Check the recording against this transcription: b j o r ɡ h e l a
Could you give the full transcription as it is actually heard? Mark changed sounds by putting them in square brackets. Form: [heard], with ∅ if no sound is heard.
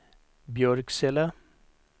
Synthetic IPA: b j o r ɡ [s] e l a